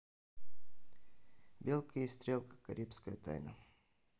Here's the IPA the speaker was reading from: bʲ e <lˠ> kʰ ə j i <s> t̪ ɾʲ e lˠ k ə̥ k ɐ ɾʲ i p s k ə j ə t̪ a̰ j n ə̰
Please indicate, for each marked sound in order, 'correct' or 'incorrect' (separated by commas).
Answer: correct, correct